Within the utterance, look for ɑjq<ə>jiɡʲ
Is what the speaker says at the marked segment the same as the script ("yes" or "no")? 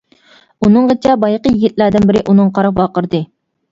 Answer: yes